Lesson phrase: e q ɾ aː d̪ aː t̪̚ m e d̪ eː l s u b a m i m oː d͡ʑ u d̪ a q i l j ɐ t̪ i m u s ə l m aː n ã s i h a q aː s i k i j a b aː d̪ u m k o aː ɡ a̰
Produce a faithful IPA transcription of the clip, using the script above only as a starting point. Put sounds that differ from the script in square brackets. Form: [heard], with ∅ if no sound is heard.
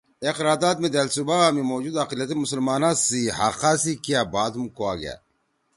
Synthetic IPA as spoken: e q ɾ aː d̪ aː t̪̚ m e d̪ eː l s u b a m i m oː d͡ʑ u d̪ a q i l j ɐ t̪ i m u s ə l m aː n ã s i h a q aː s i k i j a b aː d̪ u m k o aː ɡ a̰